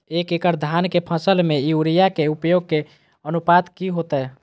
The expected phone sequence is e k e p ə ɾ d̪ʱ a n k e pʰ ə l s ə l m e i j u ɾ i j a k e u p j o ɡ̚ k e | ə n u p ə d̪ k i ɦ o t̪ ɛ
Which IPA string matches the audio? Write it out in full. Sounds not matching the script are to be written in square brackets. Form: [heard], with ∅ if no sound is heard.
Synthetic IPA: e k e [k] ə ɾ d̪ʱ a n k e pʰ ə [∅] s ə l m e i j u ɾ i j a k e u p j o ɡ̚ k e | ə n u p [a] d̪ k i ɦ o t̪ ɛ